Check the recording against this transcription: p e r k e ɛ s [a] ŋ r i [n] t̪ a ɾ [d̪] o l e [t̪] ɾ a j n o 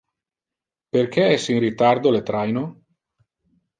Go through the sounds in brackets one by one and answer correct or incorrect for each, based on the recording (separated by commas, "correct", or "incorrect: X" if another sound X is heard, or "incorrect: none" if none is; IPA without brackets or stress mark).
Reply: incorrect: i, incorrect: none, correct, correct